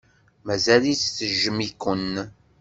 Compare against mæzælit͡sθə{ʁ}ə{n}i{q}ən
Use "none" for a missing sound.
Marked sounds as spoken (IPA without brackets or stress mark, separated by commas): ʒ, m, k